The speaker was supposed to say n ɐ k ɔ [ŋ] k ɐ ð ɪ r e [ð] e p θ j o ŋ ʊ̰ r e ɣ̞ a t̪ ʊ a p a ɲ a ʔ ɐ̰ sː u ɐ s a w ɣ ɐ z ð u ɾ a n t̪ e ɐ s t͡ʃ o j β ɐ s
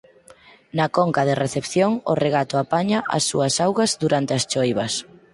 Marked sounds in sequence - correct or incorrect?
correct, incorrect: θ

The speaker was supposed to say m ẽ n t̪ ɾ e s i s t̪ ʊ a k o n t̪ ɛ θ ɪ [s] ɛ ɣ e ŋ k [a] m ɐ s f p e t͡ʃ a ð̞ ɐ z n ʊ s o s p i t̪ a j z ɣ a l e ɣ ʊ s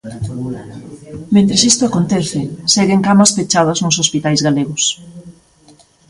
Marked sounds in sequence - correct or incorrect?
correct, correct

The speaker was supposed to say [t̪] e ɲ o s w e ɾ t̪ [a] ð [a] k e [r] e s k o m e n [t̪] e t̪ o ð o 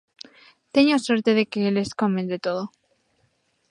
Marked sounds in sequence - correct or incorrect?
correct, incorrect: e, incorrect: e, incorrect: l, incorrect: d̪

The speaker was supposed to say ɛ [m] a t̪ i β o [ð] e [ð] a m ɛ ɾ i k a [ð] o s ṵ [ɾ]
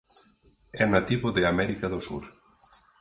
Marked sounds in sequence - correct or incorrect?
incorrect: n, correct, incorrect: none, correct, correct

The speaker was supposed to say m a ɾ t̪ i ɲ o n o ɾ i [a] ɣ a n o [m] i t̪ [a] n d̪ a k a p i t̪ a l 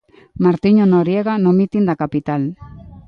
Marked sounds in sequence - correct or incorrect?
incorrect: e, correct, incorrect: i

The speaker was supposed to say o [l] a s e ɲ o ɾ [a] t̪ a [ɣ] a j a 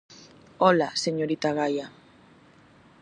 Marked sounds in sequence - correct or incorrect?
correct, incorrect: i, correct

